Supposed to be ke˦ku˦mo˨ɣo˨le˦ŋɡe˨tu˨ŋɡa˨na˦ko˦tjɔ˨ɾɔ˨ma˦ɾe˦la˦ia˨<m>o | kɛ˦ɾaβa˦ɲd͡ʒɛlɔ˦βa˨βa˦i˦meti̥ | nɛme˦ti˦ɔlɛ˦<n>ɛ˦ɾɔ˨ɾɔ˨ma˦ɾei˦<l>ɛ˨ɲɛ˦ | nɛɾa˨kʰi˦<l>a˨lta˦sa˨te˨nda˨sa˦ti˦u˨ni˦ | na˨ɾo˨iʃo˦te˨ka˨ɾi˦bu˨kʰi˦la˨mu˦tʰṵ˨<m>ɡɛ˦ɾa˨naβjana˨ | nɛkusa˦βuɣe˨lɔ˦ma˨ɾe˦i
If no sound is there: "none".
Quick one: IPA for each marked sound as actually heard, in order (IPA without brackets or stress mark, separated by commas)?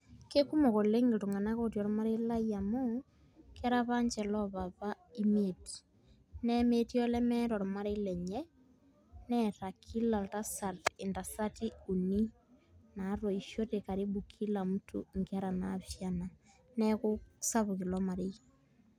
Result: m, m, l, l, ŋ